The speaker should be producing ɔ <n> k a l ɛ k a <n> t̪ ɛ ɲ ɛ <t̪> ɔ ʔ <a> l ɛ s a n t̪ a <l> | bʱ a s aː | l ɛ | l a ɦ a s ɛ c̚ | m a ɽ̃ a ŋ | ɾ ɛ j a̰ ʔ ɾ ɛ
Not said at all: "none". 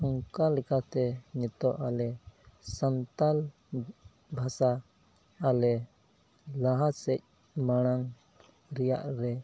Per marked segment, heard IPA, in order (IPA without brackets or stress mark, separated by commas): ŋ, none, t̪, a, l